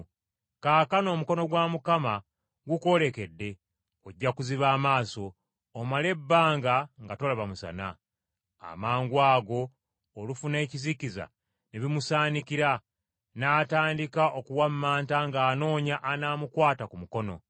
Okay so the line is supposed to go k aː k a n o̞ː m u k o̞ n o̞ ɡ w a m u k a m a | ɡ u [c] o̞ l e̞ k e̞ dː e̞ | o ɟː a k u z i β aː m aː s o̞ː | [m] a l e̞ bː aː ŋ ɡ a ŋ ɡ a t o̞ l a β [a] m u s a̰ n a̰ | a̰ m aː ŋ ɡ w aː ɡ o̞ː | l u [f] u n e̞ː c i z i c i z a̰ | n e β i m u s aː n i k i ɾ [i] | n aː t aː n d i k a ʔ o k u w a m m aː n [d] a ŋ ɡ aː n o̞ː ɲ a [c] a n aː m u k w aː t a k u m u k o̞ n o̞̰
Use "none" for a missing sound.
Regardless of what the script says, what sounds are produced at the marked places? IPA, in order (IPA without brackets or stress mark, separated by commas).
k, m, a, f, a, t, ʔ